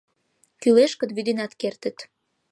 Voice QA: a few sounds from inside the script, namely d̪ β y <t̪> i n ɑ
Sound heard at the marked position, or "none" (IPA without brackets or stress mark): d̪